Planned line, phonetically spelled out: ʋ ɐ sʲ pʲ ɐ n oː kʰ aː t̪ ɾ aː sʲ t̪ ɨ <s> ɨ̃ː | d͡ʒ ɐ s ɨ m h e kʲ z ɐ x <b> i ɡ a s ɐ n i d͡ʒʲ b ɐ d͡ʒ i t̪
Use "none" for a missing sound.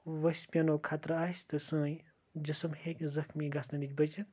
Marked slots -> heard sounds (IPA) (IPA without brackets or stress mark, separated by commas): s, m